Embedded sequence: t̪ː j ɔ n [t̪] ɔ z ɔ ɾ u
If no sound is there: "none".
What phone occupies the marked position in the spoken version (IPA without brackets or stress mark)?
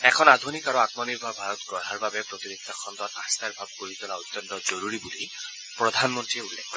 t̪